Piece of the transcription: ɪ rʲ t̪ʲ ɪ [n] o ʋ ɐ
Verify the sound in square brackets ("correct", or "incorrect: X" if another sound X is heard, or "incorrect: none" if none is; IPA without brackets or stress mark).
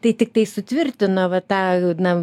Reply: correct